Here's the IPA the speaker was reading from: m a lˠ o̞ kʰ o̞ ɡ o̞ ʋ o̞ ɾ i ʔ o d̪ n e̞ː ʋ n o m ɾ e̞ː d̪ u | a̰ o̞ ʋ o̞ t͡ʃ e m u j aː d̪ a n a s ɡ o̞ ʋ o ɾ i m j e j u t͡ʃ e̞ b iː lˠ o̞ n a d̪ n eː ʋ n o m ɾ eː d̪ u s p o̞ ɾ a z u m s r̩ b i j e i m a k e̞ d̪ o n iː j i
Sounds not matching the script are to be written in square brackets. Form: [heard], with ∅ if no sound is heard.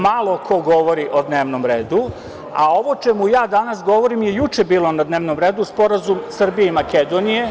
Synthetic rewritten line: m a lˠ o̞ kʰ o̞ ɡ o̞ ʋ o̞ ɾ i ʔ o d̪ n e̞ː ʋ n o m ɾ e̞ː d̪ u | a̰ o̞ ʋ o̞ t͡ʃ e m u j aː d̪ a n a s ɡ o̞ ʋ o ɾ i m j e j u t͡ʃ e̞ b iː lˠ o̞ n a d̪ n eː ʋ n o m ɾ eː d̪ u s p o̞ ɾ a z u m s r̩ b i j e i m a k e̞ d̪ o n [i] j [e]